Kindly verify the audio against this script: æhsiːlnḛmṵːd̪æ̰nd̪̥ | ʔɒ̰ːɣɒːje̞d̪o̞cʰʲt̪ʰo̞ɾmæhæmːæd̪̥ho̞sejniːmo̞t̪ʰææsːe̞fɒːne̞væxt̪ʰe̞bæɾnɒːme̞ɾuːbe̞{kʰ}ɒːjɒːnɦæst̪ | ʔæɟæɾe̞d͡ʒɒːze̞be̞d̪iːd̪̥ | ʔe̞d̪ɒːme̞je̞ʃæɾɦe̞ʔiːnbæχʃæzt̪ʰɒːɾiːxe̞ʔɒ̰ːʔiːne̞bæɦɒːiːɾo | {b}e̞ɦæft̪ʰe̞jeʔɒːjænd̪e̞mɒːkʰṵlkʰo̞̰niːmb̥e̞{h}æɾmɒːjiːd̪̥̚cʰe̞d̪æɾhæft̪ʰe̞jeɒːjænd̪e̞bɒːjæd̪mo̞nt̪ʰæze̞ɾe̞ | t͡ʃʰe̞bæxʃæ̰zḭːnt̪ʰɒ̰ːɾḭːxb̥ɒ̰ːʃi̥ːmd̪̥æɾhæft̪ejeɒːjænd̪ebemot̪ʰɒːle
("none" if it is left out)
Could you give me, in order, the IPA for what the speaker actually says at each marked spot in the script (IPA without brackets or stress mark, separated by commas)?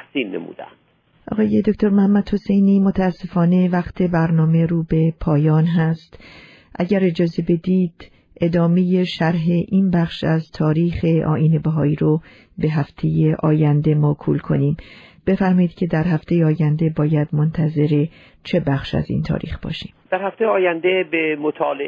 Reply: pʰ, b, f